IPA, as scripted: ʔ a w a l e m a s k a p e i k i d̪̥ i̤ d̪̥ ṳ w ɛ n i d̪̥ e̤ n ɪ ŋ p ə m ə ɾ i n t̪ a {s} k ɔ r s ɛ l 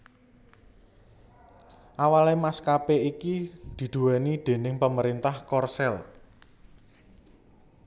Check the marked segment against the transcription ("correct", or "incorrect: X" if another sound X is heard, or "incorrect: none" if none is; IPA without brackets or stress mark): incorrect: h